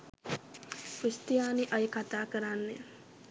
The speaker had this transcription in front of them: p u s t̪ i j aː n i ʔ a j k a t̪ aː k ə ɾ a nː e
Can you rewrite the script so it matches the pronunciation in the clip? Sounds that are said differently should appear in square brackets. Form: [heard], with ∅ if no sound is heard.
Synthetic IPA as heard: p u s t̪ i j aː n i ʔ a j k a t̪ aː k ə ɾ a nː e